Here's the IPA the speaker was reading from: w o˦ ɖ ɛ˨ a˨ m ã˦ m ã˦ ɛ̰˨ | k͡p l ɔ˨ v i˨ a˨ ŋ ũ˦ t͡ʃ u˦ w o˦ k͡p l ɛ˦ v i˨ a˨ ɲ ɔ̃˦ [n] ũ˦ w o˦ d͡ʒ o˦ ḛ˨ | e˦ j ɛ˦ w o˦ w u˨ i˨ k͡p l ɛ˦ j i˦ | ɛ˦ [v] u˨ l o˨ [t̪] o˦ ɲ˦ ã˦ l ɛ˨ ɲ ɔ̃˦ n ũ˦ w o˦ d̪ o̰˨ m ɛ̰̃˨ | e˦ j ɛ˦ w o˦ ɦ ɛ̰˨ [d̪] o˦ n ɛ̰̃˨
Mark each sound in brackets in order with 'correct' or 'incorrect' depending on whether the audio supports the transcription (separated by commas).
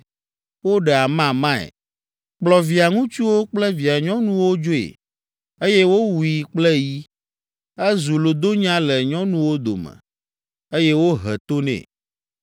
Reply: correct, incorrect, incorrect, incorrect